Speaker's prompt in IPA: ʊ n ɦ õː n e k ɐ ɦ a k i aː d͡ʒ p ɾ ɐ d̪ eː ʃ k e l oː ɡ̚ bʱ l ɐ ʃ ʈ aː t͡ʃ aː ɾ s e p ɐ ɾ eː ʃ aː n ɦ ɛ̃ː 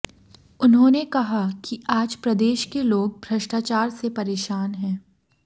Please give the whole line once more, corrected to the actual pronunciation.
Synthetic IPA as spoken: ʊ n ɦ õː n e k ɐ ɦ a k i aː d͡ʒ p ɾ ɐ d̪ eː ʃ k e l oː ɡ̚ bʱ ɾ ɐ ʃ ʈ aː t͡ʃ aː ɾ s e p ɐ ɾ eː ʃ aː n ɦ ɛ̃ː